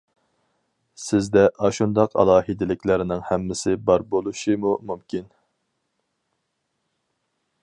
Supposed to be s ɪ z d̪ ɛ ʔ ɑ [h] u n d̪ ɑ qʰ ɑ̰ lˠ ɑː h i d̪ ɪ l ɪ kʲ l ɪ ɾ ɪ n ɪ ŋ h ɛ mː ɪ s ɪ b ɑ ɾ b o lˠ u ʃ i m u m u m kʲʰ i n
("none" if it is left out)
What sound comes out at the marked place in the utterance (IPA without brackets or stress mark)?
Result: ʃ